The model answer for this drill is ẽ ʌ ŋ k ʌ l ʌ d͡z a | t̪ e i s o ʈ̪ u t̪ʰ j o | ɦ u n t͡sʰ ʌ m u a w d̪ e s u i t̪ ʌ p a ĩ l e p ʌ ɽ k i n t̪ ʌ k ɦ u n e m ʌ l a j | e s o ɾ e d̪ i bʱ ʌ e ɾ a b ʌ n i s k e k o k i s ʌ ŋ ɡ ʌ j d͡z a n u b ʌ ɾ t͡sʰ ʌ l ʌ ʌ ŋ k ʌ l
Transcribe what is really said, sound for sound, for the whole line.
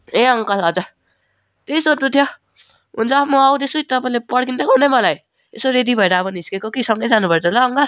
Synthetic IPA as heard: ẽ ʌ ŋ k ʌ l ʌ d͡z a | t̪ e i s o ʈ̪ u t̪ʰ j o | ɦ u n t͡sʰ ʌ m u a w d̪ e s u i t̪ ʌ p a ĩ l e p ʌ ɽ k i n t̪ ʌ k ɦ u n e m ʌ l a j | e s o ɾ e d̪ i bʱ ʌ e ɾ a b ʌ n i s k e k o k i s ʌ ŋ ɡ ʌ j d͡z a n u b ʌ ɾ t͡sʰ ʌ l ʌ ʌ ŋ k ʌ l